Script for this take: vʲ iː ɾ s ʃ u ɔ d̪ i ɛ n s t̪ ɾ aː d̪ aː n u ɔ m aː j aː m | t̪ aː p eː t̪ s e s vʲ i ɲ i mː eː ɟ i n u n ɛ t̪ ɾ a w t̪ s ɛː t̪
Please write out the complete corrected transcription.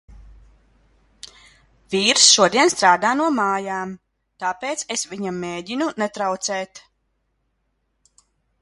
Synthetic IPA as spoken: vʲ iː ɾ s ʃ u ɔ d̪ i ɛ n s t̪ ɾ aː d̪ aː n u ɔ m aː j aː m | t̪ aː p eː t̪ s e s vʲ i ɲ a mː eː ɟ i n u n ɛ t̪ ɾ a w t̪ s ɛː t̪